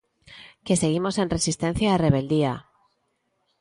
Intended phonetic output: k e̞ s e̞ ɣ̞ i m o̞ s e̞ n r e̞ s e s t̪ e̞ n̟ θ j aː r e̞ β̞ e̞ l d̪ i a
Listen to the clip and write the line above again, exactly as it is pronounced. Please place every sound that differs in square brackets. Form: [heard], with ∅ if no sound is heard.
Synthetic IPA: k e̞ s e̞ ɣ̞ i m o̞ s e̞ n r e̞ s [i] s t̪ e̞ n̟ θ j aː r e̞ β̞ e̞ l d̪ i a